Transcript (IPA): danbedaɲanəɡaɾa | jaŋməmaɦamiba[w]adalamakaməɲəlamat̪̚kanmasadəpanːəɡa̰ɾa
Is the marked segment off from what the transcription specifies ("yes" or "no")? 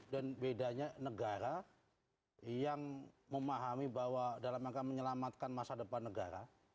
no